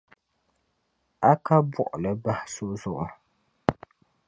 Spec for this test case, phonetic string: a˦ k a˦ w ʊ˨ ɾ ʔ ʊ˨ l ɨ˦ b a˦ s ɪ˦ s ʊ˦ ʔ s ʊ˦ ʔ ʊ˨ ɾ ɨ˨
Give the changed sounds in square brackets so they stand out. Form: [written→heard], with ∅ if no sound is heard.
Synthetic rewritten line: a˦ k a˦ [w→b] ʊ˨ [ɾ→∅] ʔ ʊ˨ l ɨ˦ b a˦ [s→h] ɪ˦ s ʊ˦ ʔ [s→z] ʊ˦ ʔ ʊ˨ ɾ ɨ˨